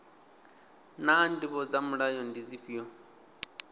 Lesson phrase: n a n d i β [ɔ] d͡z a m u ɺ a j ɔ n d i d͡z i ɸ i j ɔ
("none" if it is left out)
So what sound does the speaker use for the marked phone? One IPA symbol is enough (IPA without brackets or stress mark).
ɔ